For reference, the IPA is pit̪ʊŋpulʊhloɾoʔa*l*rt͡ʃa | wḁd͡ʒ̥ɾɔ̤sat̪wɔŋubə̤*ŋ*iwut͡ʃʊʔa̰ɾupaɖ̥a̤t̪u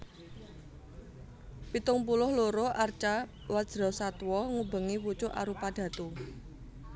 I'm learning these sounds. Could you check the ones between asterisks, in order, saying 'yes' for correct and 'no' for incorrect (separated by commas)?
no, yes